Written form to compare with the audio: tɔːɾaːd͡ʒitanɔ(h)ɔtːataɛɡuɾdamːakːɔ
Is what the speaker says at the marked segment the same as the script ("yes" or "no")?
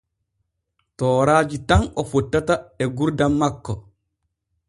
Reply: no